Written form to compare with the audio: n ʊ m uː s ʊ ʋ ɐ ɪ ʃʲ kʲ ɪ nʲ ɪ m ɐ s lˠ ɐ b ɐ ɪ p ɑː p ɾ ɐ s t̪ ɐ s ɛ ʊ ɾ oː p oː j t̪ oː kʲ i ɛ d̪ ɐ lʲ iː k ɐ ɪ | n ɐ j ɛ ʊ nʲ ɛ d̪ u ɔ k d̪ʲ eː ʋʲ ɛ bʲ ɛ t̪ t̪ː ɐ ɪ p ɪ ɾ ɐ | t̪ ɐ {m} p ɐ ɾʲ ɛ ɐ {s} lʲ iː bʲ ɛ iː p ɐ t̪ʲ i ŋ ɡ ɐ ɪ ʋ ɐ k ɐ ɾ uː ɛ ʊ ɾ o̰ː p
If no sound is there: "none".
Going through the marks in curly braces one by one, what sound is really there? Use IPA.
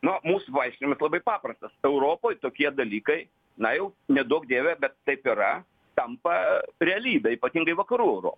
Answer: m, none

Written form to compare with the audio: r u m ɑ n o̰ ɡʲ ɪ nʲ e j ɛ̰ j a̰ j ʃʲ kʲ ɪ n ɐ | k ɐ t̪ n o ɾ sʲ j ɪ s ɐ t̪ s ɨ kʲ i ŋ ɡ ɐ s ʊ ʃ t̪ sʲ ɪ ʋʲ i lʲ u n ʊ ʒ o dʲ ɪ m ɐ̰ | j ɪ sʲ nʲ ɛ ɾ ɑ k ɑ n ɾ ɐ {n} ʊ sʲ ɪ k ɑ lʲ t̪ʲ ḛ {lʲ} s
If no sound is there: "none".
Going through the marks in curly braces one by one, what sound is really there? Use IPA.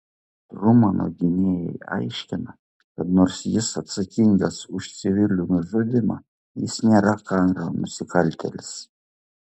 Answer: m, lʲ

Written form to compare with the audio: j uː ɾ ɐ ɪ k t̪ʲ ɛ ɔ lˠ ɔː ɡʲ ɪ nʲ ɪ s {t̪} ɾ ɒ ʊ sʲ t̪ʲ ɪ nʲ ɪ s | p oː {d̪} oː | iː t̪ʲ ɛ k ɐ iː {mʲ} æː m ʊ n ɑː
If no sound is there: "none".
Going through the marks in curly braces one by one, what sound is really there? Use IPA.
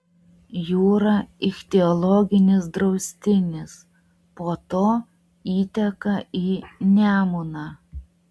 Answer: d̪, t̪, nʲ

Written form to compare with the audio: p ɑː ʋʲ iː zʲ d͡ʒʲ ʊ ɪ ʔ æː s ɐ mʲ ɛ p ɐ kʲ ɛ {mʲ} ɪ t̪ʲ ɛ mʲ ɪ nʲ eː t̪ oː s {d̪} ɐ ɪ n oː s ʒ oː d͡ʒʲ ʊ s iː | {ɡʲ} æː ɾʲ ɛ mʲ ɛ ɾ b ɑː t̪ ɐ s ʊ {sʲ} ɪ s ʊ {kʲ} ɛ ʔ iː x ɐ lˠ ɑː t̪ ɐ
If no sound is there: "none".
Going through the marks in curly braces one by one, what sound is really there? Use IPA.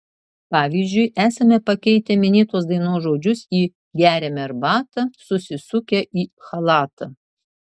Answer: none, d̪, ɡʲ, sʲ, kʲ

